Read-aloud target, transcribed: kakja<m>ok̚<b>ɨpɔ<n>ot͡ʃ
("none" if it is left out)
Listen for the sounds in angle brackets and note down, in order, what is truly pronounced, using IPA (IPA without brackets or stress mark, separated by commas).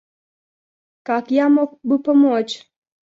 m, b, m